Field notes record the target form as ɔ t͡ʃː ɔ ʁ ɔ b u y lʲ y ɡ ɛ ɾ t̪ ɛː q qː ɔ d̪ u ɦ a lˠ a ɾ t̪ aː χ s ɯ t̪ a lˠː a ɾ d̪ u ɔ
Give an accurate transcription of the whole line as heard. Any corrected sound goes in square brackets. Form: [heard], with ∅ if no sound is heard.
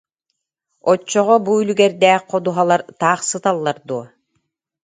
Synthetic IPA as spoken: ɔ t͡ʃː ɔ ʁ ɔ b u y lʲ y ɡ ɛ ɾ [d̪] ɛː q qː ɔ d̪ u ɦ a lˠ a ɾ t̪ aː χ s ɯ t̪ a lˠː a ɾ d̪ u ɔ